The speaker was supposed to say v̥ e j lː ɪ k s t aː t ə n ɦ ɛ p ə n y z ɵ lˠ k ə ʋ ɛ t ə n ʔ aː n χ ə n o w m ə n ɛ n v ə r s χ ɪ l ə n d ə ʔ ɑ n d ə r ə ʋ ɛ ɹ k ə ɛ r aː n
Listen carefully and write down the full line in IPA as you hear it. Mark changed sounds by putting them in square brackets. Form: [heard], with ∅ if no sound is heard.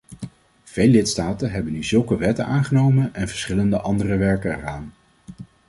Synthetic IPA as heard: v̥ e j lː ɪ [t] s t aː t ə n ɦ ɛ [b] ə n y z ɵ lˠ k ə ʋ ɛ t ə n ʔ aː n χ ə n o w m ə n ɛ n v ə [ɹ] s χ ɪ l ə n d ə ʔ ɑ n d ə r ə ʋ ɛ ɹ k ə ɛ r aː n